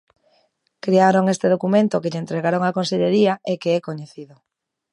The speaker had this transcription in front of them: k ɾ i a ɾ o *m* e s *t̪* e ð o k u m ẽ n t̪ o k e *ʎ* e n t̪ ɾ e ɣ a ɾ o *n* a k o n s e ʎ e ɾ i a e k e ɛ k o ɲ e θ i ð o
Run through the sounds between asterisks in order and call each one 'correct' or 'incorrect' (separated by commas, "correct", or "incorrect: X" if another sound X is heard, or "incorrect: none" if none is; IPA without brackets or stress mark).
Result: incorrect: ŋ, correct, correct, incorrect: ŋ